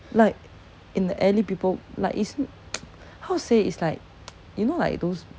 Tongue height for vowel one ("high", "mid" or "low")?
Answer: low